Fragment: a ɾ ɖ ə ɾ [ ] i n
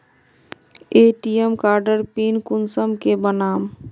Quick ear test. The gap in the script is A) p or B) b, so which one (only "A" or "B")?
A